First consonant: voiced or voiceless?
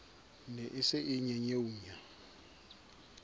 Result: voiced